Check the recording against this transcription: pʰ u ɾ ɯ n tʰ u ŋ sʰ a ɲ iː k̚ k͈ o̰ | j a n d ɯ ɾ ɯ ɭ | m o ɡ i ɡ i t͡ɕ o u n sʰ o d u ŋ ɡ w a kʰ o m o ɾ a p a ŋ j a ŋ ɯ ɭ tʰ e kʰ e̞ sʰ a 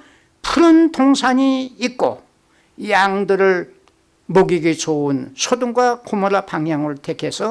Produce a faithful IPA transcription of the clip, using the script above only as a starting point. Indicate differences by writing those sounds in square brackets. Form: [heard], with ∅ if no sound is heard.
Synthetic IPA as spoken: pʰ u ɾ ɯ n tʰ [o] ŋ sʰ a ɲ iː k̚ k͈ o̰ | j a [ŋ] d ɯ ɾ ɯ ɭ | m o ɡ i ɡ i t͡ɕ o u n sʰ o d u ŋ ɡ w a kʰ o m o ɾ a p a ŋ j a ŋ ɯ ɭ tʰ e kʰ e̞ sʰ [ʌ]